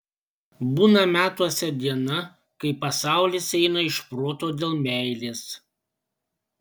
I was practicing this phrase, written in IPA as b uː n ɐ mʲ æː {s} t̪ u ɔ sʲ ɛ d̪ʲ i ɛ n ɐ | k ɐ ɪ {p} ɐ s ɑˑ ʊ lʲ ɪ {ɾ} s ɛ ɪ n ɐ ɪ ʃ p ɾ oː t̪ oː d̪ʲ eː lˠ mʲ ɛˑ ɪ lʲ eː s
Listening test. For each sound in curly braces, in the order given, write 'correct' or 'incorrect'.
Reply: incorrect: none, correct, incorrect: none

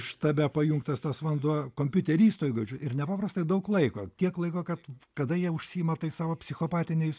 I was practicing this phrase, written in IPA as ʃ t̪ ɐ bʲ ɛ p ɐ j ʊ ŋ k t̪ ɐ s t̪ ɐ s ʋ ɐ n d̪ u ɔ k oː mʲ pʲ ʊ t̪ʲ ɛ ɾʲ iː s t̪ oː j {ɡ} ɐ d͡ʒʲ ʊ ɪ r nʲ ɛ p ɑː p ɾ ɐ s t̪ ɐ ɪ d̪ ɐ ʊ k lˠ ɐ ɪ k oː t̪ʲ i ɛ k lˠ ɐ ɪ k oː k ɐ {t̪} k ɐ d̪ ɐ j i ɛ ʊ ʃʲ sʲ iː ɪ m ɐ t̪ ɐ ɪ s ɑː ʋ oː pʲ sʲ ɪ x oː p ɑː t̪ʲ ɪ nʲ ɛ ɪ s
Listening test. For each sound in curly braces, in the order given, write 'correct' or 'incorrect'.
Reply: correct, correct

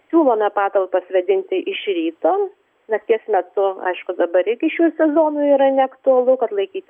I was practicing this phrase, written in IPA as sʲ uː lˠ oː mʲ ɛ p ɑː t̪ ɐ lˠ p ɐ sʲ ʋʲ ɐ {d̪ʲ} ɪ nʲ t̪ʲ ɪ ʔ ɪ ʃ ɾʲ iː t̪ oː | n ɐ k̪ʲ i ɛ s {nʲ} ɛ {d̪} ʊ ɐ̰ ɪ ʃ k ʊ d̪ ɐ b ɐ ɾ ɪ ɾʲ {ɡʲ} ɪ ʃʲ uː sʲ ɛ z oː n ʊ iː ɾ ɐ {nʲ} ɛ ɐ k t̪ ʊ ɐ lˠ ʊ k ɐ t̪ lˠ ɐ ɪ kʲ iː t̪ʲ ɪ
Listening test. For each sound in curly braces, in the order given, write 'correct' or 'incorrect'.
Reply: correct, incorrect: mʲ, incorrect: t̪, correct, correct

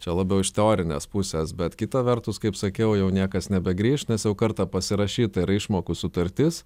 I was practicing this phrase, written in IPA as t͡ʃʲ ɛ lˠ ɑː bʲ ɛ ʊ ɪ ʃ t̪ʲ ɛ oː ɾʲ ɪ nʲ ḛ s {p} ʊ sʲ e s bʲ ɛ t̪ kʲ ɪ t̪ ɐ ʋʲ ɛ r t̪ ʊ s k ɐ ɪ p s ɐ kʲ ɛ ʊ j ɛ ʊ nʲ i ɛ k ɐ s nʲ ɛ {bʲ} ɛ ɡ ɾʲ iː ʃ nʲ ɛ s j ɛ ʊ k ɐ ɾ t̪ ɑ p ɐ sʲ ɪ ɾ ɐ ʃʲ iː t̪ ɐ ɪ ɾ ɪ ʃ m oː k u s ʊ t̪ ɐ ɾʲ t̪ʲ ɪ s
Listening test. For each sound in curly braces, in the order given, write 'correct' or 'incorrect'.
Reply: correct, correct

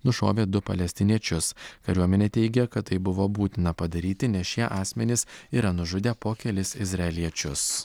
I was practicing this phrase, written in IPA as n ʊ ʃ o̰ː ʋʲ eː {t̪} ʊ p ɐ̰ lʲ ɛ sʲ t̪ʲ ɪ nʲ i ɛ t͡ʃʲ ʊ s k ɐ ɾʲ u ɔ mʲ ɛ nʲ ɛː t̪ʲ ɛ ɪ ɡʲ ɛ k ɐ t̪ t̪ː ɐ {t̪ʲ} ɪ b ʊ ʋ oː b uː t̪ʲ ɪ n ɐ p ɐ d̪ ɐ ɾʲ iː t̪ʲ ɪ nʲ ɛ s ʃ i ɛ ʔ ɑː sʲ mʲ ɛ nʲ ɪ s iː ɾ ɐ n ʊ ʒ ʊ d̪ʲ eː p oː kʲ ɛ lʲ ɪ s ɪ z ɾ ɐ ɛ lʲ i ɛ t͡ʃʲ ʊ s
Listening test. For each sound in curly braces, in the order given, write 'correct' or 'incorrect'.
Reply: incorrect: d̪, incorrect: none

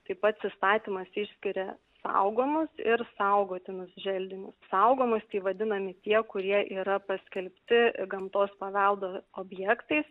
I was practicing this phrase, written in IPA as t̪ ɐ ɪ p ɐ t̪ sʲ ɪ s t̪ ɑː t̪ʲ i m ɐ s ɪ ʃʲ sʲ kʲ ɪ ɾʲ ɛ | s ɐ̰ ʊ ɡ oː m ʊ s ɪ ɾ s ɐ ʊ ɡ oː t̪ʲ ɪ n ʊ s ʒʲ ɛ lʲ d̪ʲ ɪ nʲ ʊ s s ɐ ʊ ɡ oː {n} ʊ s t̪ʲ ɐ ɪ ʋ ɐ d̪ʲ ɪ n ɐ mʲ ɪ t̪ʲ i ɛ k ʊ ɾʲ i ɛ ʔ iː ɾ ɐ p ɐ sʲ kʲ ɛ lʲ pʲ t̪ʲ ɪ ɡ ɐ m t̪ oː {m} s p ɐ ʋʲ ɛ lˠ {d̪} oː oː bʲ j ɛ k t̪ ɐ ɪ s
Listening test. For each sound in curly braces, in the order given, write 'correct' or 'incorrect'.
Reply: incorrect: m, incorrect: none, correct

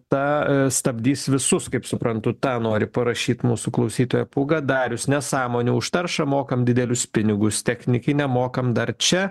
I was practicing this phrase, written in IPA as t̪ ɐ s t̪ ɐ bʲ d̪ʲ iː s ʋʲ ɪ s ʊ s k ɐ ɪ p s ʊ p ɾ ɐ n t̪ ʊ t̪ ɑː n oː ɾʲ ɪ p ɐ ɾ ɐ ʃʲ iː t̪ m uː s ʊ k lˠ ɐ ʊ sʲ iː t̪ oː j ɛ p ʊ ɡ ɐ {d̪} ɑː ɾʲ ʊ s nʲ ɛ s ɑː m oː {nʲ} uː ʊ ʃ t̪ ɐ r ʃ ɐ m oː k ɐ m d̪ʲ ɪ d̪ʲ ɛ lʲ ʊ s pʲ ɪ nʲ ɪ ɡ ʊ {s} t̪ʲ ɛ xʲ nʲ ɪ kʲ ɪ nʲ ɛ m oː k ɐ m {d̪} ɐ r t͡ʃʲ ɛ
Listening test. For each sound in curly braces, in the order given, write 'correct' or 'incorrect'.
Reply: correct, correct, correct, correct

